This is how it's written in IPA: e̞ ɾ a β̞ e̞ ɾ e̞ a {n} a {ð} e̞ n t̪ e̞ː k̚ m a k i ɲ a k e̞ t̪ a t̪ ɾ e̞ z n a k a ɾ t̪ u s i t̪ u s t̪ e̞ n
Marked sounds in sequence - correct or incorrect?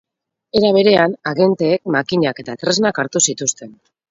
correct, incorrect: ɣ

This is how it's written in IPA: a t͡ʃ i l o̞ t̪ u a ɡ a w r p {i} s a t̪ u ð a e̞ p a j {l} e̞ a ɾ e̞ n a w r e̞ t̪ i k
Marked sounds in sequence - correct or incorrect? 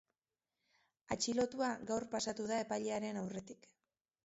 incorrect: a, incorrect: ʎ

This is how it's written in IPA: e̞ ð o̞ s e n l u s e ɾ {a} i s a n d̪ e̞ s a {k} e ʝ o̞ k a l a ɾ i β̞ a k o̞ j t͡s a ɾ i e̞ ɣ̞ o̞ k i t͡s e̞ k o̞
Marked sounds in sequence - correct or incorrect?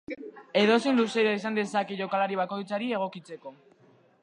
correct, correct

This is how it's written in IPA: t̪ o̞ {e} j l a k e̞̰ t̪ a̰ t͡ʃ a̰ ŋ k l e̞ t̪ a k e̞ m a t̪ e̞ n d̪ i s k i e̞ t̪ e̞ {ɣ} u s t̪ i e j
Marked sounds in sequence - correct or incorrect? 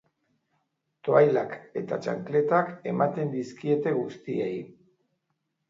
incorrect: a, correct

